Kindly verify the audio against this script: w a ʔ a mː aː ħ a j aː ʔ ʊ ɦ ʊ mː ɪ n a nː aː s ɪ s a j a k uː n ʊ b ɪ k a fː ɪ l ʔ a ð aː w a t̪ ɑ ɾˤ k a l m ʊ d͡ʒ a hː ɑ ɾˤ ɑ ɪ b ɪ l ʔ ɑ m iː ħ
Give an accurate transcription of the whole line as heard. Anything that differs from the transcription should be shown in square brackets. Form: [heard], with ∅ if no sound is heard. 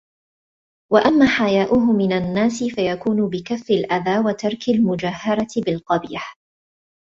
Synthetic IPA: w a ʔ a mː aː ħ a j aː ʔ ʊ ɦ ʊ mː ɪ n a nː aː s ɪ [f] a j a k uː n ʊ b ɪ k a fː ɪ l ʔ a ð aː w a t̪ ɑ ɾˤ k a l m ʊ d͡ʒ a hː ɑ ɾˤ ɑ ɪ b ɪ l [q] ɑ [b] iː ħ